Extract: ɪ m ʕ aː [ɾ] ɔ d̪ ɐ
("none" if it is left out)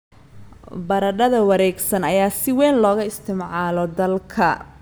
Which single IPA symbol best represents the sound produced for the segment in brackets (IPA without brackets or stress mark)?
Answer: l